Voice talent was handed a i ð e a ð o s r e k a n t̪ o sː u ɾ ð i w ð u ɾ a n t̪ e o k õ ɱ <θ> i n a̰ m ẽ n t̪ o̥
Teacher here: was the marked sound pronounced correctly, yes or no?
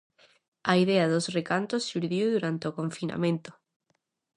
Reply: no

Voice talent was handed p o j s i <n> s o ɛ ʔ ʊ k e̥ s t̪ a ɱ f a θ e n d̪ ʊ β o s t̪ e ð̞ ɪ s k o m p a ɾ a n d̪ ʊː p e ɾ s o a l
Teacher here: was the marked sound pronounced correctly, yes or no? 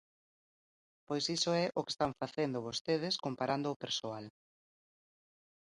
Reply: no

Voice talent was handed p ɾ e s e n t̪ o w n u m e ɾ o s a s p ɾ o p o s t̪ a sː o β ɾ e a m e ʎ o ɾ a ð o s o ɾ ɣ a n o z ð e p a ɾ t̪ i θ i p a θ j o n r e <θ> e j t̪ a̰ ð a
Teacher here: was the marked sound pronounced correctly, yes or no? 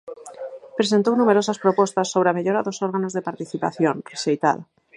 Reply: no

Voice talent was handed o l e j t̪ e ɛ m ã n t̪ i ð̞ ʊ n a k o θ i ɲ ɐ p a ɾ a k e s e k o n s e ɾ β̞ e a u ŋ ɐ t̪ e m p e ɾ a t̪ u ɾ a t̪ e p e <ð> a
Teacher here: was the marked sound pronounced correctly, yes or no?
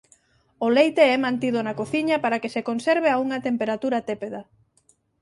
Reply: yes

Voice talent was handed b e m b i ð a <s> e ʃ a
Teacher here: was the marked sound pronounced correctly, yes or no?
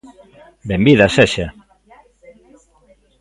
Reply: yes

